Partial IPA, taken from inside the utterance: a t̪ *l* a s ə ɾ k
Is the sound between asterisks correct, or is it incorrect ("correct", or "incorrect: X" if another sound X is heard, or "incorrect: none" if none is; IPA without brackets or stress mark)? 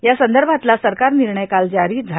correct